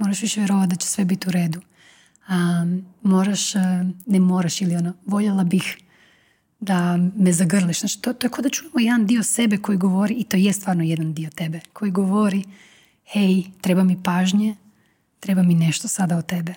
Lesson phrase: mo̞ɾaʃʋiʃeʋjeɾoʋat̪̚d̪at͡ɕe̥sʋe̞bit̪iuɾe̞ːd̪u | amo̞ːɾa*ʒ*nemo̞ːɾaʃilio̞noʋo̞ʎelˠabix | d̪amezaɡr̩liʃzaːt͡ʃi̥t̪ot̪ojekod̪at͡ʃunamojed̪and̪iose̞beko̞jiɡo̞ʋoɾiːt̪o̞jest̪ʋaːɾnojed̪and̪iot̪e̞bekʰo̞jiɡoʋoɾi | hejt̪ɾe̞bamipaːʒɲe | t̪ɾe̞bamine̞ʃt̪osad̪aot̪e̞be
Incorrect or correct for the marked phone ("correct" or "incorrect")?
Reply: incorrect